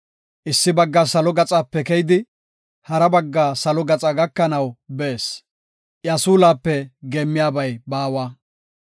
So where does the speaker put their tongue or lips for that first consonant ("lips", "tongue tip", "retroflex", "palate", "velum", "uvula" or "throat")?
throat